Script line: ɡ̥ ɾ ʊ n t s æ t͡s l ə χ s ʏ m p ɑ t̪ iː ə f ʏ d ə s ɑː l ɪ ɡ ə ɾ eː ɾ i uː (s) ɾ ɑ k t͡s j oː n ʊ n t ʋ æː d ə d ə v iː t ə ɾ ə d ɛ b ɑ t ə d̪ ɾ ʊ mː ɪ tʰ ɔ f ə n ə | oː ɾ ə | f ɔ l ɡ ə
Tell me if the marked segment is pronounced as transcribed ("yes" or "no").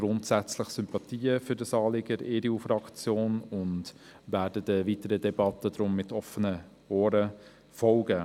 no